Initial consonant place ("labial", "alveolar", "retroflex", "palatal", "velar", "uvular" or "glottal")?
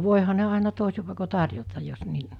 labial